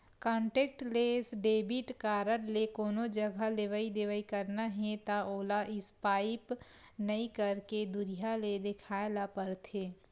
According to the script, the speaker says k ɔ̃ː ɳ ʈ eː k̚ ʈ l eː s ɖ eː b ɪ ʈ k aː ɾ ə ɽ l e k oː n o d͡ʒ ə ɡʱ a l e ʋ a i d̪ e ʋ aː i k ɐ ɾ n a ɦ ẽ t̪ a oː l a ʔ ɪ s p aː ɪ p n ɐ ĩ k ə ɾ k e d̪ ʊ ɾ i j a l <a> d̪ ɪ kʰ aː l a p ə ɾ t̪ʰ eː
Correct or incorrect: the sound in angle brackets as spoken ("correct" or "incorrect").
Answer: incorrect